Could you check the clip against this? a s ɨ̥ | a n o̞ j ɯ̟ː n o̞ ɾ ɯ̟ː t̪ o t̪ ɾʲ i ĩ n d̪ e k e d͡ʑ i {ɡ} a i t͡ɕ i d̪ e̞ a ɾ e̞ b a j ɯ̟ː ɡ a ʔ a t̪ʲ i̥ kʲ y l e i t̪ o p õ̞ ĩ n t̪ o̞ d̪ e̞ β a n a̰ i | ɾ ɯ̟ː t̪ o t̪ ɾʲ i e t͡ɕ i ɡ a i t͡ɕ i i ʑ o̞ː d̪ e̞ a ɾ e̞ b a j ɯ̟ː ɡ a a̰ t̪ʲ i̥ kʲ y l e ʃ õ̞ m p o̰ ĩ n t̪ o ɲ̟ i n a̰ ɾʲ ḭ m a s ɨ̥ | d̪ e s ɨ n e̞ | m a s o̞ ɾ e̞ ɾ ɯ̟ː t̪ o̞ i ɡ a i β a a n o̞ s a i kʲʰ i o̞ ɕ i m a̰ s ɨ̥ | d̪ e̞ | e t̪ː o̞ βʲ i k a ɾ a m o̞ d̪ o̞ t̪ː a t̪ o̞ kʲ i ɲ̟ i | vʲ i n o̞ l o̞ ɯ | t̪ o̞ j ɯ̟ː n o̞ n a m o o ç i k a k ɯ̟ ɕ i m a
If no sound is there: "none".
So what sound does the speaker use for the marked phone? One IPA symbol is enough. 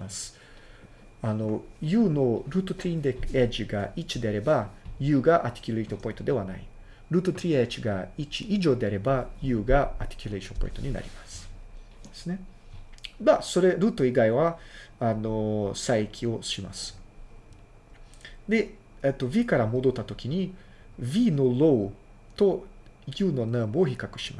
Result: ɡ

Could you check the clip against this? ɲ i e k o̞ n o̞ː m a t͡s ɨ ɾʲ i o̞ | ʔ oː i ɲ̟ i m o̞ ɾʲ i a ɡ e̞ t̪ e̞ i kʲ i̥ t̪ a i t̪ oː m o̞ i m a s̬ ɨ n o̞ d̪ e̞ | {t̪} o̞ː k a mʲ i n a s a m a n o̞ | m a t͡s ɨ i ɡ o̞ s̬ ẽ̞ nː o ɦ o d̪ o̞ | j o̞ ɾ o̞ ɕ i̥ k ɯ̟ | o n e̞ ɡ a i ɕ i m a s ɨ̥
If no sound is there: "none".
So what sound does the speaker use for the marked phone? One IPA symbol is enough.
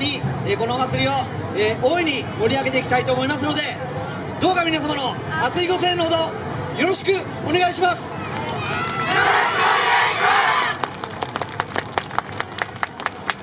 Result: d̪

